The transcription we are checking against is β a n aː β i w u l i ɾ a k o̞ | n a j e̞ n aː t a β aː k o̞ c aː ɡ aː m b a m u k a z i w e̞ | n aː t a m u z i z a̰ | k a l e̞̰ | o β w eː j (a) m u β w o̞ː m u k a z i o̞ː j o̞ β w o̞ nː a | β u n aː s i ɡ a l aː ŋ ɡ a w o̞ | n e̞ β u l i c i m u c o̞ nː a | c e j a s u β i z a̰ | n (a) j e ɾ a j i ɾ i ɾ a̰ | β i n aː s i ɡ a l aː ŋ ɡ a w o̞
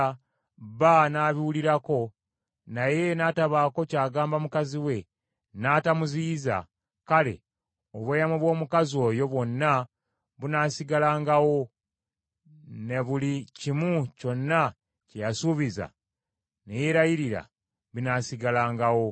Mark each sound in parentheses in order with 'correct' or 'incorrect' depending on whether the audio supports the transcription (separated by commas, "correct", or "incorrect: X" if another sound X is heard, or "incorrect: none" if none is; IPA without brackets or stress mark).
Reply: correct, incorrect: e